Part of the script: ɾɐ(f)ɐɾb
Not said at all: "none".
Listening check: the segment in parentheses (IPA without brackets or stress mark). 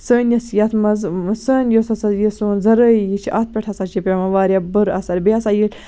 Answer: s